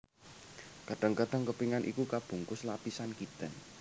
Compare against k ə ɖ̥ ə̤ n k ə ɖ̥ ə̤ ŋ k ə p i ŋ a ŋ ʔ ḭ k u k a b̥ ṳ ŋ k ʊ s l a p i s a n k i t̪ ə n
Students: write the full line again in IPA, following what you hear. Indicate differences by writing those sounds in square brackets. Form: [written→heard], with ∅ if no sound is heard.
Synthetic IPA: k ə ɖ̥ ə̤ [n→ŋ] k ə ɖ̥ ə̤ ŋ k ə p i ŋ a [ŋ→n] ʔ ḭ k u k a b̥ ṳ ŋ k ʊ s l a p i s a n k i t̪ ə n